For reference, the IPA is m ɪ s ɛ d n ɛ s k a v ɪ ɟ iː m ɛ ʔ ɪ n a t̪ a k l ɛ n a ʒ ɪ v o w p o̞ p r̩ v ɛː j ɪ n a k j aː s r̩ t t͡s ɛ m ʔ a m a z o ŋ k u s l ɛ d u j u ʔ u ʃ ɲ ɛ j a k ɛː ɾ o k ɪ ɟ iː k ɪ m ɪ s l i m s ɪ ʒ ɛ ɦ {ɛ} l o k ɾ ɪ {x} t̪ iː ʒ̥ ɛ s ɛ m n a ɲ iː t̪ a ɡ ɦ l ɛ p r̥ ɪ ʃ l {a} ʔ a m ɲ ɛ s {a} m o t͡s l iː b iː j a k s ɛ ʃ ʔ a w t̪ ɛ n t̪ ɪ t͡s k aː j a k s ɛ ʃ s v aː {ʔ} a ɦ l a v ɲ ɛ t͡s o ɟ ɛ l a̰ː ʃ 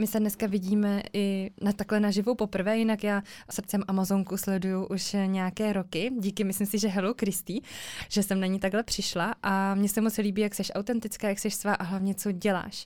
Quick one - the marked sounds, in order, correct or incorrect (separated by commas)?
correct, incorrect, correct, incorrect, correct